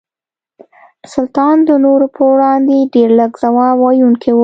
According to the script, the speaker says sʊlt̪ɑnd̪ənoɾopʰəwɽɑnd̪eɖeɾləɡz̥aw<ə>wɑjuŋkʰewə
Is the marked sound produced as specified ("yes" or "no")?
no